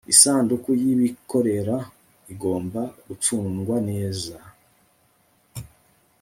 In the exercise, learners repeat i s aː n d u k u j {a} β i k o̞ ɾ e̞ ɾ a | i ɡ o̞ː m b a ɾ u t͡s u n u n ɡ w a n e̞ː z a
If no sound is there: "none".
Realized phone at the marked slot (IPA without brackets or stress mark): i